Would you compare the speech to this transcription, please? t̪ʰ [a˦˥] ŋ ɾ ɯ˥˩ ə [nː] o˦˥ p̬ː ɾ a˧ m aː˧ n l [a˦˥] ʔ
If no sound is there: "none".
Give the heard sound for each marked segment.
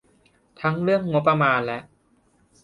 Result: a˦˥, ŋː, ɛ˦˥

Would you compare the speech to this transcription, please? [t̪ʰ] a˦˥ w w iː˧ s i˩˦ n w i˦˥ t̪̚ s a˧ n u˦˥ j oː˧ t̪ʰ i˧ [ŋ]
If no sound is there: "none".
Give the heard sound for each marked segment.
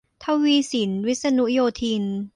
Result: t̪ʰ, n

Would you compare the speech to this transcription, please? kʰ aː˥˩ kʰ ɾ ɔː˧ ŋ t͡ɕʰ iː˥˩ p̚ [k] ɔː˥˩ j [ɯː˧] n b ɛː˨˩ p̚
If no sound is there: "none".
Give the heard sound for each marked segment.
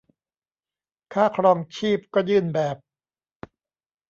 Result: k, ɯː˥˩

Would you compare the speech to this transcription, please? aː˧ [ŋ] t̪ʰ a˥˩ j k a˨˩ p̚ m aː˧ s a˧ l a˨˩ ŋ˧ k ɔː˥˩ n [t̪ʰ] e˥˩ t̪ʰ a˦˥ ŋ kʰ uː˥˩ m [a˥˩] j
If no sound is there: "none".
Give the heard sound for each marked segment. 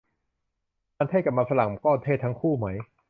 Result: n, t̪ʰ, a˦˥

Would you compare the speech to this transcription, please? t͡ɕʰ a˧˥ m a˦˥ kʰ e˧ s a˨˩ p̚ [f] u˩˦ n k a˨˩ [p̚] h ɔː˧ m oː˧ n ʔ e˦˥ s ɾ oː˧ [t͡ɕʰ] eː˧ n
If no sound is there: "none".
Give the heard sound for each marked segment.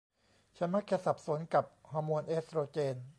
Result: s, p̚, t͡ɕ

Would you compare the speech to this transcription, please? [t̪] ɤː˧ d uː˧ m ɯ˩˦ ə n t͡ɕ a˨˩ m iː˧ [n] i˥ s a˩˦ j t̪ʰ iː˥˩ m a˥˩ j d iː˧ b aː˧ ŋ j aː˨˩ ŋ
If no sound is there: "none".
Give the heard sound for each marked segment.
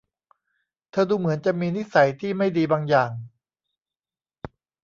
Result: t̪ʰ, n

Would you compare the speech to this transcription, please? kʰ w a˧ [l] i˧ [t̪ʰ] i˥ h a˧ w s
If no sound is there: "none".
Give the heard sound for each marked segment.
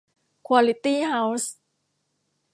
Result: l, t̪

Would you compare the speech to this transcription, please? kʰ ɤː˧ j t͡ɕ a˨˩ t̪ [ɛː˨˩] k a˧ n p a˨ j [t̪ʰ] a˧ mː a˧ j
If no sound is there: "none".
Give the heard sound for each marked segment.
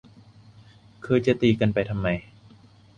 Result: iː˨˩, t̪ʰ

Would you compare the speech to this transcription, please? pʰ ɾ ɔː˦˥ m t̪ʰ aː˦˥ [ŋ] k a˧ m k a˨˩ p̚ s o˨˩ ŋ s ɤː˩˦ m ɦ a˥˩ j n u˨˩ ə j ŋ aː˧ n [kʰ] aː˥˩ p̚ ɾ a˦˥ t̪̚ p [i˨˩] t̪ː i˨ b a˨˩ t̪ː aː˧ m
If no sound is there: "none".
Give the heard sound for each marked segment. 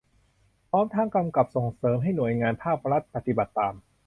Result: ŋ, pʰ, a˨˩

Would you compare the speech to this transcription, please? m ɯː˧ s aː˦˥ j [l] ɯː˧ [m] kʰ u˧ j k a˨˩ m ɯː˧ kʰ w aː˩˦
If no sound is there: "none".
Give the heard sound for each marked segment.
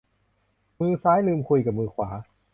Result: l, m

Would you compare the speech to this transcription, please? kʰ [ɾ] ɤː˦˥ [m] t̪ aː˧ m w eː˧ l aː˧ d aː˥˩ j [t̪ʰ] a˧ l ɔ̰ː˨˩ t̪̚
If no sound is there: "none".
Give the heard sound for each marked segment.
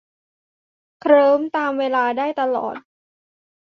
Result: ɾ, m, t̪

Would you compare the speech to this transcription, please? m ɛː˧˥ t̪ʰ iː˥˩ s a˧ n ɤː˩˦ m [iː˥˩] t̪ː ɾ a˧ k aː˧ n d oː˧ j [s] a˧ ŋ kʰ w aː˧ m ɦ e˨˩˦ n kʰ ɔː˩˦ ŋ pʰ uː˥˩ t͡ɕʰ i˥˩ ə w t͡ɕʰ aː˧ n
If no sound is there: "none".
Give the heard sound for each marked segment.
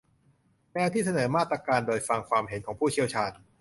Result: aː˥˩, f

